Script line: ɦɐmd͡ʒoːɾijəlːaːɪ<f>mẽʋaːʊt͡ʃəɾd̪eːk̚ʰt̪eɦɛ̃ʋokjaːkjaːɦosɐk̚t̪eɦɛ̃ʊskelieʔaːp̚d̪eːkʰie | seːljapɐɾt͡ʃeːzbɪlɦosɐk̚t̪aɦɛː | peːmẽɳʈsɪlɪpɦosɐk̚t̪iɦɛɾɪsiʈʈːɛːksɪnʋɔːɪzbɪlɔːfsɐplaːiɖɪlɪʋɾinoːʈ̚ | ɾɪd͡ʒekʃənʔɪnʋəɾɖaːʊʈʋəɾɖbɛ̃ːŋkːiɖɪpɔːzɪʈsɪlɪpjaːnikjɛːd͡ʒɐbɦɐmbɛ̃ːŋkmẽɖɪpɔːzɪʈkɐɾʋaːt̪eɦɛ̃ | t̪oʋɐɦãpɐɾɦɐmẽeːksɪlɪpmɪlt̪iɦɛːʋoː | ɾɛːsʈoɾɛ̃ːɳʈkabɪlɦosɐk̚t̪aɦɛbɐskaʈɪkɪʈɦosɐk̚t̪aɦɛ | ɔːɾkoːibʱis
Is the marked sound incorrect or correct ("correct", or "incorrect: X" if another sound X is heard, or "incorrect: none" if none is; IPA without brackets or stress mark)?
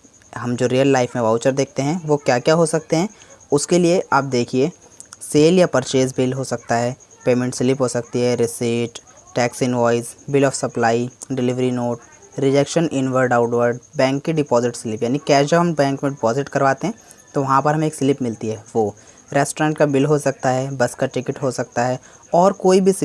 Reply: correct